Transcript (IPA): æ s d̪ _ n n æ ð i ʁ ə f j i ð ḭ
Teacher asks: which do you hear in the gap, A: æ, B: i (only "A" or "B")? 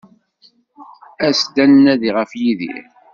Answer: A